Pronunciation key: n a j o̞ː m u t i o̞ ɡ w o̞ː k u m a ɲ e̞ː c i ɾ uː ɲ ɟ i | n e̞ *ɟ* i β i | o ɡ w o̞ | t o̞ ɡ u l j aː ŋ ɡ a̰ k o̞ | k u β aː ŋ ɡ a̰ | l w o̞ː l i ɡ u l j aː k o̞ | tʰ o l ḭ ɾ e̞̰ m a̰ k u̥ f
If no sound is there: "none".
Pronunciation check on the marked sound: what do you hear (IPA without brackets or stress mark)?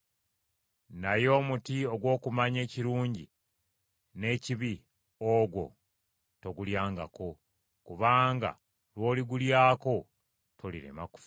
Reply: c